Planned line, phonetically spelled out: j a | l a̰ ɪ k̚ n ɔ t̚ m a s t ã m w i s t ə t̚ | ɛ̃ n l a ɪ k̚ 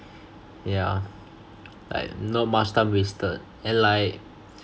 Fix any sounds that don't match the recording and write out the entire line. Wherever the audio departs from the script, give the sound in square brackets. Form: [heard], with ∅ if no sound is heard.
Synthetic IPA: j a | l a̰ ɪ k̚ n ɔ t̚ m a s t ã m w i s t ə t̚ | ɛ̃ n l a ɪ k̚